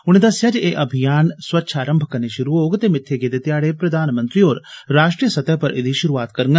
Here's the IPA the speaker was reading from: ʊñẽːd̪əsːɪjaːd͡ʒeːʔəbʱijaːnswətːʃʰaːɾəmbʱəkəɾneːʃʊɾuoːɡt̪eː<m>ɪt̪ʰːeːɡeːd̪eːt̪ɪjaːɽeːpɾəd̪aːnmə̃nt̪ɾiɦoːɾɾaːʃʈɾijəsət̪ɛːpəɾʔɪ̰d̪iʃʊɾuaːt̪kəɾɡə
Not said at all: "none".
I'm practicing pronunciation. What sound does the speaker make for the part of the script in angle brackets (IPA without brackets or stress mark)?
m